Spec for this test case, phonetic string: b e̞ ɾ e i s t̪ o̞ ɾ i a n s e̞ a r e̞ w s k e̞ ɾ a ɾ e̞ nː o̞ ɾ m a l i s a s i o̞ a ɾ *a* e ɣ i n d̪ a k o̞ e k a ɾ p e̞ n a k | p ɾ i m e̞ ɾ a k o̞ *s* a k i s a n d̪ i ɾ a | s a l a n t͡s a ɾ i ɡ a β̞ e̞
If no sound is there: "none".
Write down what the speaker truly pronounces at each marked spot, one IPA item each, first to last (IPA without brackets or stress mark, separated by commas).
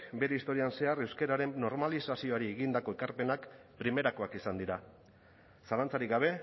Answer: i, none